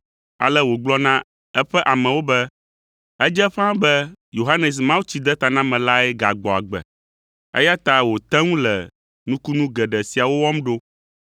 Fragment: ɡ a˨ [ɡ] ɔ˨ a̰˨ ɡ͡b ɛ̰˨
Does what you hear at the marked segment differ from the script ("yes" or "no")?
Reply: yes